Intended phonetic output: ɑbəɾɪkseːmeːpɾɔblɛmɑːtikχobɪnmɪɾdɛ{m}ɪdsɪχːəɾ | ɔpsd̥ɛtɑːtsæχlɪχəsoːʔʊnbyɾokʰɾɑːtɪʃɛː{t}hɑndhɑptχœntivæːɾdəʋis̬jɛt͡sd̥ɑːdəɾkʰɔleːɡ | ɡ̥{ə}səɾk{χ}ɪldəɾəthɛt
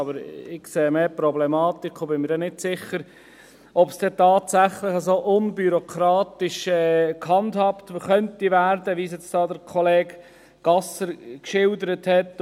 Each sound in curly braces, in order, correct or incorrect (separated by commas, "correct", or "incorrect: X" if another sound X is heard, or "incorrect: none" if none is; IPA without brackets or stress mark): incorrect: n, incorrect: k, incorrect: ɑ, incorrect: ʃ